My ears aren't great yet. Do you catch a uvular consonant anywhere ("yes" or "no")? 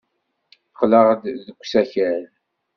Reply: yes